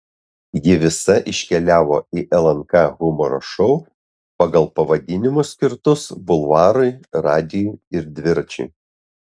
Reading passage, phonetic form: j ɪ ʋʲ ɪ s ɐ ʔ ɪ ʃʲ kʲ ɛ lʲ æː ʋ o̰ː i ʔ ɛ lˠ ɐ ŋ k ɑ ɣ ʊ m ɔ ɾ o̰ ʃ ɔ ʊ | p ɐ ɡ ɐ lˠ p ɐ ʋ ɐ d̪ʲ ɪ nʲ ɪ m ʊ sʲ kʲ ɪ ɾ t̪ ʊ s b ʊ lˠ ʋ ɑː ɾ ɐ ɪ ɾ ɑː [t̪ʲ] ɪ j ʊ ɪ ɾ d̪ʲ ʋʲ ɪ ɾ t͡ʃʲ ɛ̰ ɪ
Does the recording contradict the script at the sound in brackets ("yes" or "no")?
yes